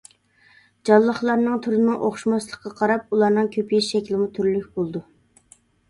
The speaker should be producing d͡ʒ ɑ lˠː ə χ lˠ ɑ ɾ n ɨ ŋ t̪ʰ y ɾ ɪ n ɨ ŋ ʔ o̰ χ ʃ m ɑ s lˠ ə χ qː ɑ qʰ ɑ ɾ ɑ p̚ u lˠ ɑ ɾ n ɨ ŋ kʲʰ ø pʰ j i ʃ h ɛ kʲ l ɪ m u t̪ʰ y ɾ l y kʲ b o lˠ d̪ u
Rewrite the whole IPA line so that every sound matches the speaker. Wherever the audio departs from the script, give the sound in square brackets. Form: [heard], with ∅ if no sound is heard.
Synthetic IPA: d͡ʒ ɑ lˠː ə χ lˠ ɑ ɾ n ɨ ŋ t̪ʰ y ɾ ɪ n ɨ ŋ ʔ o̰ χ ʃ m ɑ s lˠ ə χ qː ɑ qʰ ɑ ɾ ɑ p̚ u lˠ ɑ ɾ n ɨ ŋ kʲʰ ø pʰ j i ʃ [ʃ] ɛ kʲ l ɪ m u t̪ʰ y ɾ l y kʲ b o lˠ d̪ u